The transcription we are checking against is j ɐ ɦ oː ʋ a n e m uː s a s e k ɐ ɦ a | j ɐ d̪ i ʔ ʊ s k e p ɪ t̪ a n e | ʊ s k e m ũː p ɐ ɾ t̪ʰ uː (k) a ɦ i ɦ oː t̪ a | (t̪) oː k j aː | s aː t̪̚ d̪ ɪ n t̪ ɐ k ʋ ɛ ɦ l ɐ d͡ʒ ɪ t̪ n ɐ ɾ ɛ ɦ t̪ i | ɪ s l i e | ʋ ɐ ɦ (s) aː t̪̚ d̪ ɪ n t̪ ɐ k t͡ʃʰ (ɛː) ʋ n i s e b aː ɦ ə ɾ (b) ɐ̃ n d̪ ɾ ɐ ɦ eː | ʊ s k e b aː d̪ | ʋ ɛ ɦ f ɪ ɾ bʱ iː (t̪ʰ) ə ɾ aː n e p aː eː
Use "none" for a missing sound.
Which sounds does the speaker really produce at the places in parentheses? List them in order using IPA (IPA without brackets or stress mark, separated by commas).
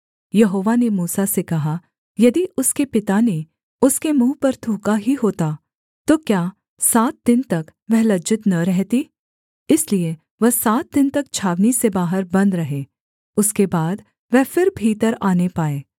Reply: k, t̪, s, aː, b, t̪